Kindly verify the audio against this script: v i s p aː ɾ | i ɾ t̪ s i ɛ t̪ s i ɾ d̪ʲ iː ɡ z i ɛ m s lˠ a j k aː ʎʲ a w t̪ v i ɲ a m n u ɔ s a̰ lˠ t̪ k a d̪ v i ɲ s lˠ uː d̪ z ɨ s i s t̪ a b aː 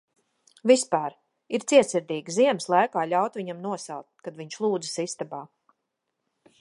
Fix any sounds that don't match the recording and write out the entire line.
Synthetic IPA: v i s p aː ɾ | i ɾ t̪ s i ɛ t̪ s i ɾ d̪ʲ iː ɡ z i ɛ m s lˠ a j k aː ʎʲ a w t̪ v i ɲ a m n u ɔ s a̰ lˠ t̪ k a d̪ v i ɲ ʃ lˠ uː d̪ z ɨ s i s t̪ a b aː